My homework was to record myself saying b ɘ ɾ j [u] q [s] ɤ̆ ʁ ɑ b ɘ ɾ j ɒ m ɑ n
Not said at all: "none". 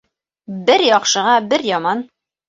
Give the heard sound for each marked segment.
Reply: ɒ, ʃ

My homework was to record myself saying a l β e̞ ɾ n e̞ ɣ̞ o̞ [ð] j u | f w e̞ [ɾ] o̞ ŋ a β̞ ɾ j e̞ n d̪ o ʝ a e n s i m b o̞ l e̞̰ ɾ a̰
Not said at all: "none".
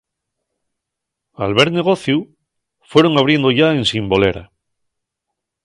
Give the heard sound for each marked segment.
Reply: θ, ɾ

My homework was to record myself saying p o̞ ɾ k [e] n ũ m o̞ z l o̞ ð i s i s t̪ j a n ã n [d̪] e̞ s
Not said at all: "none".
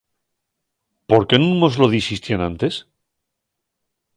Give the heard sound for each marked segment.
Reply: e, t̪

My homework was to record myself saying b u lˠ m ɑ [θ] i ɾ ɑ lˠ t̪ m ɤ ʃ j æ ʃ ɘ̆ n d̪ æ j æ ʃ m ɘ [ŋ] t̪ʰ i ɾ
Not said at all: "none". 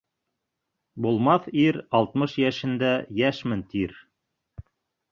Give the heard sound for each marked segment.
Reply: θ, n

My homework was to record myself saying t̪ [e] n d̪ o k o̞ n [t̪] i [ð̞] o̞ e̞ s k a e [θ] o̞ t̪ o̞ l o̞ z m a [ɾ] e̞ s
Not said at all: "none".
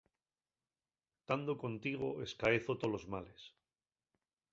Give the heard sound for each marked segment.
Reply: a, t̪, ɣ̞, θ, l

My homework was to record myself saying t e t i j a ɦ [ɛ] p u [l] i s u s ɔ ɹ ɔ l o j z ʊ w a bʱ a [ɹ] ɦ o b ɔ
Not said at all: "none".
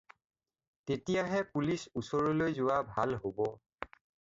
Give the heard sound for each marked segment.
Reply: ɛ, l, l

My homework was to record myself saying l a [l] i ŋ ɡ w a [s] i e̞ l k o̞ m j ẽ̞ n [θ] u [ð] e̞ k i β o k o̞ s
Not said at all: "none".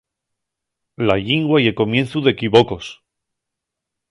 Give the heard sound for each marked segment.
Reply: ʎ, none, θ, ð

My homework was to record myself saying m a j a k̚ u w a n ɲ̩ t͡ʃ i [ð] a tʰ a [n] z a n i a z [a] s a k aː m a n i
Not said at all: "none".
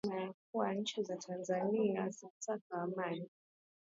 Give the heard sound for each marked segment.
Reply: z, n, a

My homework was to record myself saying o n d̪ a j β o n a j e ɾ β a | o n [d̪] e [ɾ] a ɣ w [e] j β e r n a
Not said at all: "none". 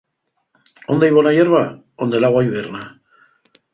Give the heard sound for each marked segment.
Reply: d̪, l, a

